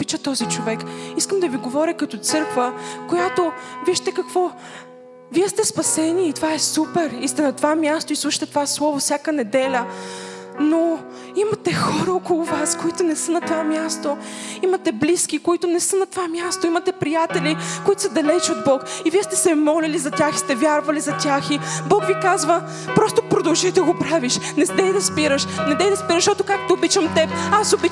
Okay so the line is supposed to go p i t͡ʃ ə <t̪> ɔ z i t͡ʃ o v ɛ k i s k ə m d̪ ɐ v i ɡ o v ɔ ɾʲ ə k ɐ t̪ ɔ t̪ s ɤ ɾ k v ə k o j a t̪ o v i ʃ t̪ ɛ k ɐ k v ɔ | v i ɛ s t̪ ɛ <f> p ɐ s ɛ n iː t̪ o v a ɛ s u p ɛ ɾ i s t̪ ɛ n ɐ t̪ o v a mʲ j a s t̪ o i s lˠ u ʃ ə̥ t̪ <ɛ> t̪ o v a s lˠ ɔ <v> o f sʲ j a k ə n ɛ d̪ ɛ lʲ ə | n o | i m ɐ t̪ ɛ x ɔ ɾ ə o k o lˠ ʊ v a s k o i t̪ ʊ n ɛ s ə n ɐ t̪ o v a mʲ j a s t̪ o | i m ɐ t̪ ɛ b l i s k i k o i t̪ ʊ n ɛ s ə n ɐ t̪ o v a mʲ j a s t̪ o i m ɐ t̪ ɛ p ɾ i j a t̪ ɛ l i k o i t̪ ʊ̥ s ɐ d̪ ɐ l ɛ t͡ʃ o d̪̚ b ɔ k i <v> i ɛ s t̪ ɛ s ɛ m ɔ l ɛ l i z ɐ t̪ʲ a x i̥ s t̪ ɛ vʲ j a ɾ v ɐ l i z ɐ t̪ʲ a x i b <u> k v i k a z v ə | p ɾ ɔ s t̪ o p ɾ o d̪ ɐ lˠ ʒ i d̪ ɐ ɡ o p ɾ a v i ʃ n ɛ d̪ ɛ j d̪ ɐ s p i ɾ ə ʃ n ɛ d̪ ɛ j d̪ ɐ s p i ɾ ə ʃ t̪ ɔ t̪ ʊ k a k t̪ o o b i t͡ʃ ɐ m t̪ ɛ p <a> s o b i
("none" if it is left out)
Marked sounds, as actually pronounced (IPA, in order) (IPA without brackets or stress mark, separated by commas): t̪, s, ɛ, v, v, ɔ, a